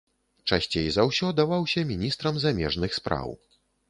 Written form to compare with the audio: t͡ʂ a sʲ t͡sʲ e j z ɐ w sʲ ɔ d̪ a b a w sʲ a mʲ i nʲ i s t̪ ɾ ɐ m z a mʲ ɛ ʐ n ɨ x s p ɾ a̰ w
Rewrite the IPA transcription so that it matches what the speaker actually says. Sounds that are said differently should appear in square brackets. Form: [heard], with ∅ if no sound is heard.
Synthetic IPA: t͡ʂ a sʲ t͡sʲ e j z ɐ w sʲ ɔ d̪ a [v] a w sʲ [ɐ] mʲ i nʲ i s t̪ ɾ ɐ m z a mʲ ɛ ʐ n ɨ x s p ɾ a̰ w